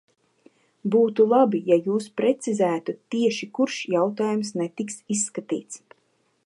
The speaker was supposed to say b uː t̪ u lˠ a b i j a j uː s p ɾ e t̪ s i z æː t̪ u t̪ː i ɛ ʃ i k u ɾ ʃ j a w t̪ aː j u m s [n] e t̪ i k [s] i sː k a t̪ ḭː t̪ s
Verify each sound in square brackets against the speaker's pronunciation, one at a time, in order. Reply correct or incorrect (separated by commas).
correct, correct